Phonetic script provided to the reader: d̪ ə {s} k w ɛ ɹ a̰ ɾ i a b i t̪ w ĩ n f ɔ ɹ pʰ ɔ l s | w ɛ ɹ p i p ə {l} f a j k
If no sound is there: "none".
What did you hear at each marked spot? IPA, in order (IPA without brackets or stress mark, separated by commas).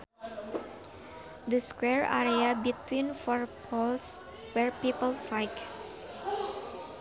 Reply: s, l